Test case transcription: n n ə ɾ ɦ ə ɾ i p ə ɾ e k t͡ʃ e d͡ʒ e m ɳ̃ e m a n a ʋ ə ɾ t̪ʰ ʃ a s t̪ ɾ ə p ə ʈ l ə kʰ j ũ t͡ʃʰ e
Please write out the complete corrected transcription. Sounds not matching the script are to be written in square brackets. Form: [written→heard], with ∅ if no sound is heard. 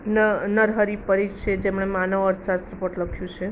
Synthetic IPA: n n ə ɾ ɦ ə ɾ i p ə ɾ [e→i] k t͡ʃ e d͡ʒ e m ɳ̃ e m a n [a→ə] ʋ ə ɾ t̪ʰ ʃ a s t̪ ɾ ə p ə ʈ l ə kʰ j ũ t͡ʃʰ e

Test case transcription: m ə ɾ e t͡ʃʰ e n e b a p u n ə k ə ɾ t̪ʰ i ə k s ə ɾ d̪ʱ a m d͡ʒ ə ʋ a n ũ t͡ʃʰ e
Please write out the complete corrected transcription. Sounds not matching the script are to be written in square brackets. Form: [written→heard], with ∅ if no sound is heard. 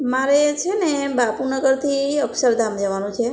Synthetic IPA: m [ə→a] ɾ e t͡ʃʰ e n e b a p u n ə [k→ɡ] ə ɾ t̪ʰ i ə k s ə ɾ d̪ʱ a m d͡ʒ ə ʋ a n ũ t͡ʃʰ e

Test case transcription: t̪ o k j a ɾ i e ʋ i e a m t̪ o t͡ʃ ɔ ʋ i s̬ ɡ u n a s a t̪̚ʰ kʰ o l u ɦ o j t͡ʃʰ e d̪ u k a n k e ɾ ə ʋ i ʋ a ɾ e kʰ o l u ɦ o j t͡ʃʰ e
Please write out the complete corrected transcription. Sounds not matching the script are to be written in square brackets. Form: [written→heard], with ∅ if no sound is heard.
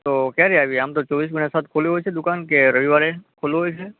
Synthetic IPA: t̪ o k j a ɾ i [e→a] ʋ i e a m t̪ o t͡ʃ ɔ ʋ i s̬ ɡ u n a s a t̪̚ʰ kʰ o l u ɦ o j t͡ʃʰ e d̪ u k a n k e ɾ ə ʋ i ʋ a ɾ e kʰ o l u ɦ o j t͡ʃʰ e

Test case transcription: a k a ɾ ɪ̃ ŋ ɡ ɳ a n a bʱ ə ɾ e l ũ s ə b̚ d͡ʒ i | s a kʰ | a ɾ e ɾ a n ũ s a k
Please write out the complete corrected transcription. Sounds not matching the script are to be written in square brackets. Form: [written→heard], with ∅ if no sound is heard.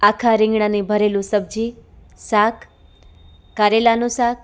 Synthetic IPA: a [k→kʰ] a ɾ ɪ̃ ŋ ɡ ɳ a n [a→i] bʱ ə ɾ e l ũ s ə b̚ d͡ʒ i | s a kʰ | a ɾ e [ɾ→l] a n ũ s a k

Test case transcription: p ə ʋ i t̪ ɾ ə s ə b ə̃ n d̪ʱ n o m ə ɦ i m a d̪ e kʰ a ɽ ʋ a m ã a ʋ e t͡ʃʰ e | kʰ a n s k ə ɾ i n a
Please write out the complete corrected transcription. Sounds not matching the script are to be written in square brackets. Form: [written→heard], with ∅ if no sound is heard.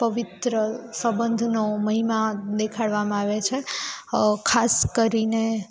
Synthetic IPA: p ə ʋ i t̪ ɾ ə s ə b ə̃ n d̪ʱ n o m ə ɦ i m a d̪ e kʰ a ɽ ʋ a m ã a ʋ e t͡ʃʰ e | kʰ a [n→∅] s k ə ɾ i n [a→e]

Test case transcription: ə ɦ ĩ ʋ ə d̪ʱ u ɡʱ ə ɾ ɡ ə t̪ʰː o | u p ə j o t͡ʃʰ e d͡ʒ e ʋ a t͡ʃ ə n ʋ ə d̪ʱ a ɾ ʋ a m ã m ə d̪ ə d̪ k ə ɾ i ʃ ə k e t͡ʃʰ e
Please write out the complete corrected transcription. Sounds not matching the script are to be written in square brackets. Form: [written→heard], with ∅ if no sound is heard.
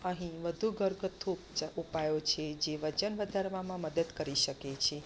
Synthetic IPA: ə ɦ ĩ ʋ ə d̪ʱ u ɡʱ ə ɾ ɡ ə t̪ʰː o | u p [ə→a] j o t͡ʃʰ e d͡ʒ e ʋ [a→ə] t͡ʃ ə n ʋ ə d̪ʱ a ɾ ʋ a m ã m ə d̪ ə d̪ k ə ɾ i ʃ ə k e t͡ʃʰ e

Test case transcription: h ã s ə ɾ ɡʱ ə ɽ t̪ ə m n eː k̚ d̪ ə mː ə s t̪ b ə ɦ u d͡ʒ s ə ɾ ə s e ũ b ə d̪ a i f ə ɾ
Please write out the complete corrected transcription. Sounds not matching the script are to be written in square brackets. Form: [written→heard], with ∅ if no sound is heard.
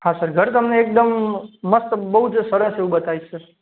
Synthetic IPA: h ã s ə ɾ ɡʱ ə [ɽ→ɾ] t̪ ə m n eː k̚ d̪ ə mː ə s t̪ b ə ɦ u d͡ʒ s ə ɾ ə s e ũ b ə [d̪→t̪] a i [f→s] ə ɾ

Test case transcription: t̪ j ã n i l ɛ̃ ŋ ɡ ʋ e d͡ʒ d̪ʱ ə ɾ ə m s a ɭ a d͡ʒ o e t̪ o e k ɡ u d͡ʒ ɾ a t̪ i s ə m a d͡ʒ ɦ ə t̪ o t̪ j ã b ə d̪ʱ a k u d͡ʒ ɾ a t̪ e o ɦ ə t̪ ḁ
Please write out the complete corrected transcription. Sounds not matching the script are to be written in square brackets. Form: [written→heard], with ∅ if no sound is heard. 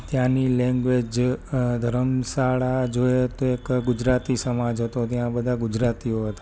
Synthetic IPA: t̪ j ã n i l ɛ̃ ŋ ɡ ʋ e d͡ʒ d̪ʱ ə ɾ ə m s a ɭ a d͡ʒ o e t̪ o e k ɡ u d͡ʒ ɾ a t̪ i s ə m a d͡ʒ ɦ ə t̪ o t̪ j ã b ə d̪ʱ a [k→ɡ] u d͡ʒ ɾ a t̪ [e→i] o ɦ ə t̪ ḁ

